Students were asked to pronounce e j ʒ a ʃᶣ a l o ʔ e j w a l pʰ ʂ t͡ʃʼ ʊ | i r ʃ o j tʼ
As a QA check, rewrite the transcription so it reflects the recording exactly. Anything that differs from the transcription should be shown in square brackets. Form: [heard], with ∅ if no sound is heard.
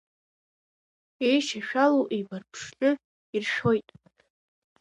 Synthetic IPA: e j [ʃ] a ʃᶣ a l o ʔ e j [b] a [r] pʰ ʂ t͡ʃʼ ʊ | i r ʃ o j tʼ